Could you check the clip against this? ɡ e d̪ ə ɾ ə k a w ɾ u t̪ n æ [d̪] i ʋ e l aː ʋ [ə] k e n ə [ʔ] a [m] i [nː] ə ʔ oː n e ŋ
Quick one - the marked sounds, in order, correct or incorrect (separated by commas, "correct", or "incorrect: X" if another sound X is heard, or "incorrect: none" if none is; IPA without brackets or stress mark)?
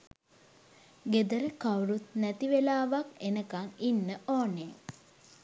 incorrect: t̪, incorrect: a, incorrect: k, incorrect: ŋ, correct